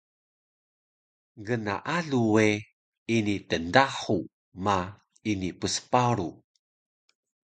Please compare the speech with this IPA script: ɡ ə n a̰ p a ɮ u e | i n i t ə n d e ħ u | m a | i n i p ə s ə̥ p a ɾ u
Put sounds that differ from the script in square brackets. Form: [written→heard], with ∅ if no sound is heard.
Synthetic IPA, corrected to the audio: ɡ ə n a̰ [p→ʔ] a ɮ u e | i n i t ə n d [e→a] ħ u | m a | i n i p ə s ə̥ p a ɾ u